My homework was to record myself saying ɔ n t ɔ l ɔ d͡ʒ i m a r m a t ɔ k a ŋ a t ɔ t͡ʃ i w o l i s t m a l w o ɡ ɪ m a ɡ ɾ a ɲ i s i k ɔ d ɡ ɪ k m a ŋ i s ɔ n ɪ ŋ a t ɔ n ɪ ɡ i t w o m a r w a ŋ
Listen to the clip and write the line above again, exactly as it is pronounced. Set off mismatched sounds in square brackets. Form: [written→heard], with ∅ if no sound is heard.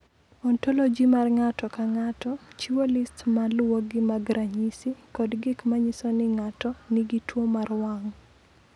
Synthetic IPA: ɔ n t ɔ l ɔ d͡ʒ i m a r [m→ŋ] a t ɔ k a ŋ a t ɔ t͡ʃ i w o l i s t m a l w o ɡ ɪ m a ɡ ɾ a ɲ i s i k ɔ d ɡ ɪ k m a [ŋ→ɲ] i s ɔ n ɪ ŋ a t ɔ n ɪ ɡ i t w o m a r w a ŋ